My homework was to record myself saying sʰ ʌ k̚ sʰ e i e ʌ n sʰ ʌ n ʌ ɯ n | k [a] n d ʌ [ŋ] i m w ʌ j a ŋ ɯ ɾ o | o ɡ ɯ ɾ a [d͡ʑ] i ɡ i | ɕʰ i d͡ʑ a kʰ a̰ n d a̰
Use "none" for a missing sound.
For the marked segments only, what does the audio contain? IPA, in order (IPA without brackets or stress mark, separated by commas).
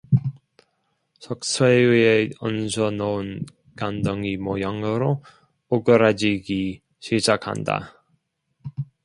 a, ŋ, d͡ʑ